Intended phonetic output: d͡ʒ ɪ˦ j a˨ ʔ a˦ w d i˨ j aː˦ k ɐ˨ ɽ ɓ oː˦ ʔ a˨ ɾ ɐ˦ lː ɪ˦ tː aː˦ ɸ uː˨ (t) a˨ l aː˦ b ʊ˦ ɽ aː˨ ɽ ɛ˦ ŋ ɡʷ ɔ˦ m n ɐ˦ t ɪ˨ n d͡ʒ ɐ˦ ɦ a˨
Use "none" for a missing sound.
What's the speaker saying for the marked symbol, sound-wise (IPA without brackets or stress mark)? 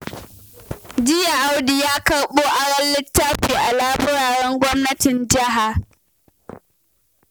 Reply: ʔ